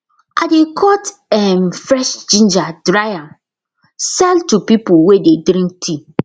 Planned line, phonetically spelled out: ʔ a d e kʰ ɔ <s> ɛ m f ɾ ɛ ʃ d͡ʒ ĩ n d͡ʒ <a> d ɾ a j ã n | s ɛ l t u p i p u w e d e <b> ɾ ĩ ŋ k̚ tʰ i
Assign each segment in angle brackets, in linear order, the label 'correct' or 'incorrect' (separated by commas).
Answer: incorrect, correct, incorrect